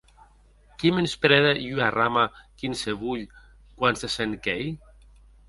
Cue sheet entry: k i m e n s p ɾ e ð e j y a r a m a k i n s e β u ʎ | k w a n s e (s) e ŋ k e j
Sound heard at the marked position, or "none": s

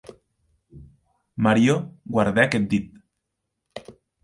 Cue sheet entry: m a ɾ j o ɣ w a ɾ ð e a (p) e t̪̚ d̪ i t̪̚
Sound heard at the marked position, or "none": k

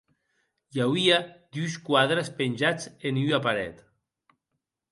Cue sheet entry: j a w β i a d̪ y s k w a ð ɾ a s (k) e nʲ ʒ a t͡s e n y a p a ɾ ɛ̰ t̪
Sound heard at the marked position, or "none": p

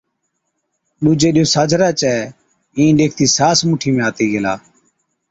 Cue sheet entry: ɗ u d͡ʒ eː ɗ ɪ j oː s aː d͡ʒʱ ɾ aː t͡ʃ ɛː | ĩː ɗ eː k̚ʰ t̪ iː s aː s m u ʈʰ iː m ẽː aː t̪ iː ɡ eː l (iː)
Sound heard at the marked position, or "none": aː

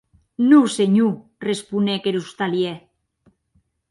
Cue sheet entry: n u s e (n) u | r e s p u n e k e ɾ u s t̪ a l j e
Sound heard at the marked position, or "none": ɲ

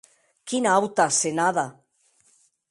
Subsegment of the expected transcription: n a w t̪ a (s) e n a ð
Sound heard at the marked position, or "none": s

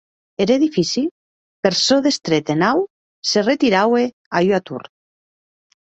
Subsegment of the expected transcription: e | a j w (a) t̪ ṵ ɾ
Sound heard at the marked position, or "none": a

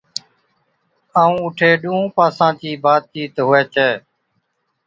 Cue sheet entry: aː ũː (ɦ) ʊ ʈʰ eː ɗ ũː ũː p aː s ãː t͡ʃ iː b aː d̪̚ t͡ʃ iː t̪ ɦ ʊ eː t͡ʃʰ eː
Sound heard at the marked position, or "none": none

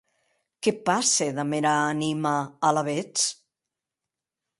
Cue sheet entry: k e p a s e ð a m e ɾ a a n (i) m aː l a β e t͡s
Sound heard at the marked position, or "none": i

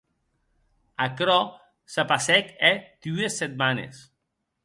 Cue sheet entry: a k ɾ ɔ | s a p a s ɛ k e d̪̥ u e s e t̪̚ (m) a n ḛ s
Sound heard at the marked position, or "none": m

